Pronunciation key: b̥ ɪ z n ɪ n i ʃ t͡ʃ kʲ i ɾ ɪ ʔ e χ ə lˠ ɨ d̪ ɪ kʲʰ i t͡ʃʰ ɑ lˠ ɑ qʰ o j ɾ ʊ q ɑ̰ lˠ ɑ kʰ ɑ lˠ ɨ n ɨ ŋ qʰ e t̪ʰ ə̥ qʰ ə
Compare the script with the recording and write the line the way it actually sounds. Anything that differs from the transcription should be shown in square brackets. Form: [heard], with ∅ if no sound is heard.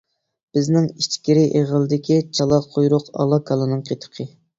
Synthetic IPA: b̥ ɪ z n ɪ [ŋ] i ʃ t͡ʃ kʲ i ɾ ɪ ʔ e [ʁ] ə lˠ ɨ d̪ ɪ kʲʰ i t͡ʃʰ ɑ lˠ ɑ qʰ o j ɾ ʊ q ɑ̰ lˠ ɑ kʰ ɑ lˠ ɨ n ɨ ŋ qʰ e t̪ʰ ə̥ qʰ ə